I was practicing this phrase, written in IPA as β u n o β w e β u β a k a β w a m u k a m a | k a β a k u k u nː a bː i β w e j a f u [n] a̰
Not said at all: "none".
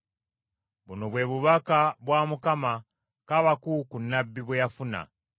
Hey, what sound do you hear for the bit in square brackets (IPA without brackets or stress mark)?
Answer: n